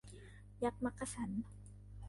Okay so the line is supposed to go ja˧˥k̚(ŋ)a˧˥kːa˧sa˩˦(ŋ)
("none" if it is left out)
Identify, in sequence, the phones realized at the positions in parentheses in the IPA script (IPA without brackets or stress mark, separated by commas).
m, n